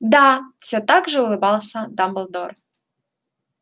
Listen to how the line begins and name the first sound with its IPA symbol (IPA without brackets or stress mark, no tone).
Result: d̪